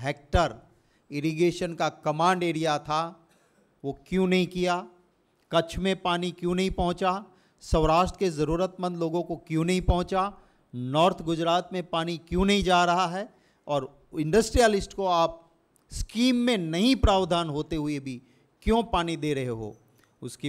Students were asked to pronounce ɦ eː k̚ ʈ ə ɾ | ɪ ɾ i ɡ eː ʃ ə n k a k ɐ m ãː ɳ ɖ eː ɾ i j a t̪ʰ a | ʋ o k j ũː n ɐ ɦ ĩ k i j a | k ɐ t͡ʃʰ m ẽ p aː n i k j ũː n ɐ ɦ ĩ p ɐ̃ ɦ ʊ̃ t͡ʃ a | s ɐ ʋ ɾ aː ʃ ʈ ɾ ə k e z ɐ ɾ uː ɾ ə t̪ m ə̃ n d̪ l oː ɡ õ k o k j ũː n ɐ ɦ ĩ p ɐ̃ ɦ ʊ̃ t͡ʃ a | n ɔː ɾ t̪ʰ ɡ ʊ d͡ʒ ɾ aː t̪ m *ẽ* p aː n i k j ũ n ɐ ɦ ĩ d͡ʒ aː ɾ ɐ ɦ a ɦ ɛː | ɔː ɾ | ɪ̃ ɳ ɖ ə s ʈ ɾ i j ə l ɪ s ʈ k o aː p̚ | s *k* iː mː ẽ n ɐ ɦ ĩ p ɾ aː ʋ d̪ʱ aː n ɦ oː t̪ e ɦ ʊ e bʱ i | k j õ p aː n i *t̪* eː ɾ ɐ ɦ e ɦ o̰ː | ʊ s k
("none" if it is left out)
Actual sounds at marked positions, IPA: ẽ, k, d̪

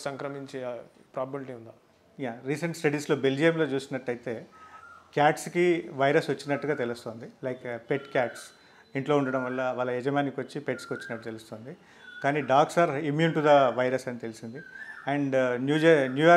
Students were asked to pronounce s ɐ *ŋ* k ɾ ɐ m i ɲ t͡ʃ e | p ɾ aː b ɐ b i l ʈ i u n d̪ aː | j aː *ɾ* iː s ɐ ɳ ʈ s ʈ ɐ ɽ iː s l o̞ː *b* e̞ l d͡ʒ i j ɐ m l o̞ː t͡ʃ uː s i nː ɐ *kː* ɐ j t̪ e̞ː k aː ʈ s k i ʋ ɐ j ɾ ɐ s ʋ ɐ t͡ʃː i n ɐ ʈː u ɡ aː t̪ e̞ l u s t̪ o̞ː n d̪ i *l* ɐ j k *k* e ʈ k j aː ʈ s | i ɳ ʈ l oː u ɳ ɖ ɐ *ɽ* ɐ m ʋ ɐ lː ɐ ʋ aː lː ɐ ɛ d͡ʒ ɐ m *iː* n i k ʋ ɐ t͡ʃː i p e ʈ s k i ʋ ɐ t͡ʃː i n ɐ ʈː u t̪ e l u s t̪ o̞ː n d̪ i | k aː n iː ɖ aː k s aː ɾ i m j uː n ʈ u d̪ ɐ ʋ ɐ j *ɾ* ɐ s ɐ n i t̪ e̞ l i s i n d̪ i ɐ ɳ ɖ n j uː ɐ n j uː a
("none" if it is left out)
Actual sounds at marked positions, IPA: ŋ, ɾ, b, ʈː, l, p, ɽ, aː, ɾ

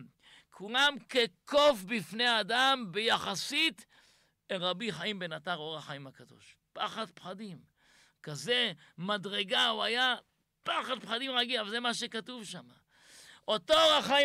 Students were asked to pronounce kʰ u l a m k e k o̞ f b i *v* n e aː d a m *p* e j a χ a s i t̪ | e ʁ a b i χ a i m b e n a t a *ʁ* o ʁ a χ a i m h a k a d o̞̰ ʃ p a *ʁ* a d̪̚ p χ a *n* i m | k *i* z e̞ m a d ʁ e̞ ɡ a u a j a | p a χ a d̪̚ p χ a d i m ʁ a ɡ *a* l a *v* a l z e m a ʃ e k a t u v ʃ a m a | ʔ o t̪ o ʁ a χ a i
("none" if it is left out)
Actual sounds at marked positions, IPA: f, b, ʁ, χ, d, a, i, v

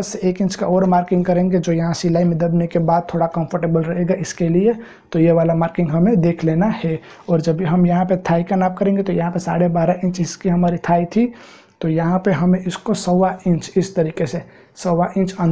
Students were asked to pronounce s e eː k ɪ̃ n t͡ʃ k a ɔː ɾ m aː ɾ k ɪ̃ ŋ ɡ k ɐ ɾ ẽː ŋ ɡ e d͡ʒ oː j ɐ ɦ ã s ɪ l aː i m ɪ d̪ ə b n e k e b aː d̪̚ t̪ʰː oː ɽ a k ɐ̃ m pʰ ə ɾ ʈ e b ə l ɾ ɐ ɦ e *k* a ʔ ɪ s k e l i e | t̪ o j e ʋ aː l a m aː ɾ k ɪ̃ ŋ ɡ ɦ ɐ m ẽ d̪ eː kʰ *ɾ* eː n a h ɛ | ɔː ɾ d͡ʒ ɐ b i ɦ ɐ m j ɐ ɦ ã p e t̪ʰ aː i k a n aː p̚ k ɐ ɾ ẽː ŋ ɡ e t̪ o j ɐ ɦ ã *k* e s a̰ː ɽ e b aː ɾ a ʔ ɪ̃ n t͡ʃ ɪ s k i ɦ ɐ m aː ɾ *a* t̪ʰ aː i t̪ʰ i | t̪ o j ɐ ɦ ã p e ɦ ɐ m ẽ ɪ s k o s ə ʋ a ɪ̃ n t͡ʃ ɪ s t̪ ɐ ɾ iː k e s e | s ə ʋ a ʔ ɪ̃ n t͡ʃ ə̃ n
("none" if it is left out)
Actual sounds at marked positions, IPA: ɡ, l, p, i

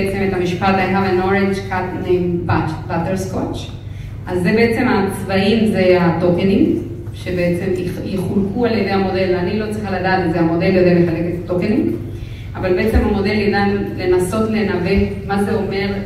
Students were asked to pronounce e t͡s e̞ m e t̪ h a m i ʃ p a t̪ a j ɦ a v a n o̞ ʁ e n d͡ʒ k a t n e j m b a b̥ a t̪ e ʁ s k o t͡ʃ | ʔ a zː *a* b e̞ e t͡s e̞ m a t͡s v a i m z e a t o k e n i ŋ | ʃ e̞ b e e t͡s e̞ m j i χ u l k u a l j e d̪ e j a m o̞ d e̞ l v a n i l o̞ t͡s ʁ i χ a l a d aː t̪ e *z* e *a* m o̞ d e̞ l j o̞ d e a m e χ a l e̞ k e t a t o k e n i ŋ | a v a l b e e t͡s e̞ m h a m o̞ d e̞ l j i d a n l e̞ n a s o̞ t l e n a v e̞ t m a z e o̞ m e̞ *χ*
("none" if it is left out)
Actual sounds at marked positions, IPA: e, z, a, ʁ

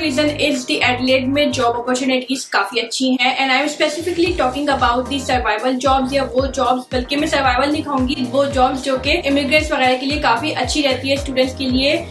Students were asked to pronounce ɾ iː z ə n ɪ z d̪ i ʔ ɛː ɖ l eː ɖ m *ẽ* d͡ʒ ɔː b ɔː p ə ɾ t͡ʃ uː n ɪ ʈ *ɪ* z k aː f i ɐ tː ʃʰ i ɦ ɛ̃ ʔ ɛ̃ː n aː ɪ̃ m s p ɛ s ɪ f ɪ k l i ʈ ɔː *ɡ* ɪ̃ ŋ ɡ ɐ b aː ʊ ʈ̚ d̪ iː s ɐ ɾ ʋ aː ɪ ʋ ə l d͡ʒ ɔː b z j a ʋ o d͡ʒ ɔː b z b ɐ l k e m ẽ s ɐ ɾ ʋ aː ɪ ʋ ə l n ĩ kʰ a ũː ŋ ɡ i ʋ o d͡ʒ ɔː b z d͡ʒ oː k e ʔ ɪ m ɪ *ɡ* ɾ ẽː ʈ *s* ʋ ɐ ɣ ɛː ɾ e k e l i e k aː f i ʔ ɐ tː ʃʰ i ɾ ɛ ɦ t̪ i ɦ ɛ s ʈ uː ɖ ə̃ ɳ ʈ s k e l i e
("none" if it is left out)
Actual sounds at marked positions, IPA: ẽ, i, k, ɡ, s

